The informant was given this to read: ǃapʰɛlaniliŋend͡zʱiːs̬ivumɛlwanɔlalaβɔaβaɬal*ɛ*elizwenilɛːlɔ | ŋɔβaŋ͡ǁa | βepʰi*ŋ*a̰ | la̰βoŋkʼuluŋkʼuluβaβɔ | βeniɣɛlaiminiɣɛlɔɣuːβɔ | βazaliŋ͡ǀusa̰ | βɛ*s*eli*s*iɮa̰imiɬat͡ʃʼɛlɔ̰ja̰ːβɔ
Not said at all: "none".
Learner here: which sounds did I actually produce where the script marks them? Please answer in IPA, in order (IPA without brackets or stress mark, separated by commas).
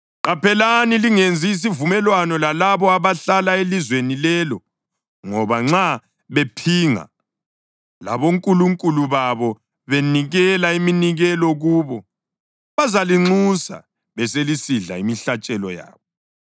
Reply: a, ŋ, s, s